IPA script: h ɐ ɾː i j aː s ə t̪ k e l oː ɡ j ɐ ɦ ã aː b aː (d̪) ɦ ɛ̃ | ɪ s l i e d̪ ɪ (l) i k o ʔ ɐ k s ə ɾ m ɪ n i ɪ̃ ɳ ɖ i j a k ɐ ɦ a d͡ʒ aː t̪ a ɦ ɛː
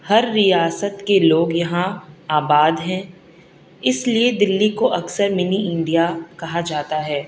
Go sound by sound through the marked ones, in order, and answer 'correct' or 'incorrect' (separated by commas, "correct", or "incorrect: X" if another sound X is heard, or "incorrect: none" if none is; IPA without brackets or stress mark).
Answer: correct, incorrect: lː